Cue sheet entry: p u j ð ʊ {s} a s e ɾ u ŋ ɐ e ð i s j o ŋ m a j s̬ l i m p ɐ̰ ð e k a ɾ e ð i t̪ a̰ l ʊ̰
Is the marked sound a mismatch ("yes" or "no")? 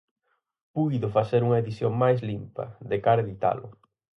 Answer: yes